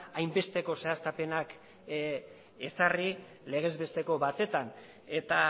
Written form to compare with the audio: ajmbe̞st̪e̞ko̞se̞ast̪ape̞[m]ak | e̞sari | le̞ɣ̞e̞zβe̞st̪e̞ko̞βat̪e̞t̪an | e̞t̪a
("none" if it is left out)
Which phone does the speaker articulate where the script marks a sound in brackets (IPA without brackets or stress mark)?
n